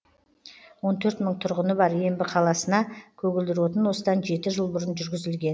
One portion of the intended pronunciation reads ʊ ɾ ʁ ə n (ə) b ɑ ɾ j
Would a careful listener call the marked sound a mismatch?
no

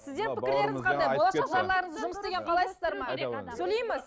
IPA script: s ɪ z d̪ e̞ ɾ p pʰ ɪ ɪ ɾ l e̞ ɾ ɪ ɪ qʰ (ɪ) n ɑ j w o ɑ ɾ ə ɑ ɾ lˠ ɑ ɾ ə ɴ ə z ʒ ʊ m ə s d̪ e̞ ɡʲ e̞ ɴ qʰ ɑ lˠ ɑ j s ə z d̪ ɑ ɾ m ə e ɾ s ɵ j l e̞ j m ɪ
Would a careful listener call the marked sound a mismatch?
no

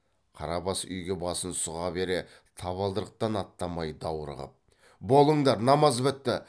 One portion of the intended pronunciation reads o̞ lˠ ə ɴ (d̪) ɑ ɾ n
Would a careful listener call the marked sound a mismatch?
no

